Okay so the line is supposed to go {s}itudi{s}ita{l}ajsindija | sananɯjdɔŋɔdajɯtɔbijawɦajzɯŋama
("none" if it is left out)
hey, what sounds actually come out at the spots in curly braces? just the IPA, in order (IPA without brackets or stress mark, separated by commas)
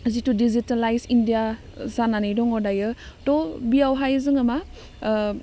z, z, l